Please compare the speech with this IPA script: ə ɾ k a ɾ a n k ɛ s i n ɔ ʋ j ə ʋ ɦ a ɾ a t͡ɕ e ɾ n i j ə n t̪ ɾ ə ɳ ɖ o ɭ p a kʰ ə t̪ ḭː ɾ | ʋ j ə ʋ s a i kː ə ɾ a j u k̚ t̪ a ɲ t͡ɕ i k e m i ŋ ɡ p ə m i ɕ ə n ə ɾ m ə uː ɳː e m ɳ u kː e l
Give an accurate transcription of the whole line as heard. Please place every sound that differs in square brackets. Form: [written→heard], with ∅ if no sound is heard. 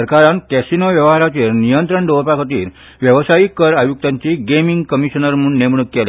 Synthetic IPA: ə ɾ k a ɾ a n k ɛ s i n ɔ ʋ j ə ʋ ɦ a ɾ a t͡ɕ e ɾ n i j ə n t̪ ɾ ə ɳ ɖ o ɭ p a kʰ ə t̪ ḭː ɾ | ʋ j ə ʋ s a i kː ə ɾ a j u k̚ t̪ a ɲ t͡ɕ i [k→ɡ] e m i ŋ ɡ [p→k] ə m i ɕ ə n ə ɾ m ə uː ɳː e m ɳ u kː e l